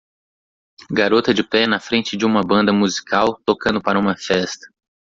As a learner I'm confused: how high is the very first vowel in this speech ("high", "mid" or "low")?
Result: low